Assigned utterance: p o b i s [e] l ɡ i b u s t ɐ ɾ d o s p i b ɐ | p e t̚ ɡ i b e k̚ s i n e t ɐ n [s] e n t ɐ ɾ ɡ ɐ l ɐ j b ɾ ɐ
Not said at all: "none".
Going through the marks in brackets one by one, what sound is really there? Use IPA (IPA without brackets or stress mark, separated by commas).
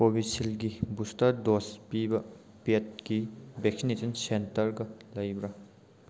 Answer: i, s